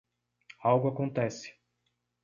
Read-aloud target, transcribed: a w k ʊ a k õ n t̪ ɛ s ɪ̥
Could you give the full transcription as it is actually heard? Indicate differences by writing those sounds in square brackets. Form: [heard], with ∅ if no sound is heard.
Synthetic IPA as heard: a w [ɡ] ʊ a k õ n t̪ ɛ s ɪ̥